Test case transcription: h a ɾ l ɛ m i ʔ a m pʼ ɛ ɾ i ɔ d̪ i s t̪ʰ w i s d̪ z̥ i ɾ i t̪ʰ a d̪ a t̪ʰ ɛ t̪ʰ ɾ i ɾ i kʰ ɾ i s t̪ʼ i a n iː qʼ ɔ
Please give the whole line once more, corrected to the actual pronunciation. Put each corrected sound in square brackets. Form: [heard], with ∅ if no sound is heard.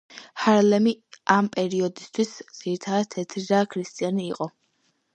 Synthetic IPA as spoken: h a ɾ l ɛ m i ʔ a m pʼ ɛ ɾ i ɔ d̪ i s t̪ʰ w i s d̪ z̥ i ɾ i t̪ʰ a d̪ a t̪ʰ ɛ t̪ʰ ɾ i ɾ [a] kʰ ɾ i s t̪ʼ i a n iː qʼ ɔ